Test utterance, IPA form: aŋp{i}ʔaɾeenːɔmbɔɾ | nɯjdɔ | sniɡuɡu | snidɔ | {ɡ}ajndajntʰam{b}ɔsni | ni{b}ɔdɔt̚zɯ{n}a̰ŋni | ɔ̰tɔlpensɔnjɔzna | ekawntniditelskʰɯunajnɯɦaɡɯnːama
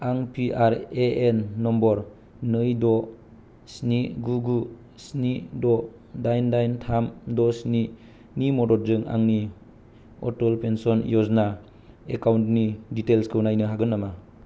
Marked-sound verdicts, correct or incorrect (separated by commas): correct, incorrect, incorrect, incorrect, incorrect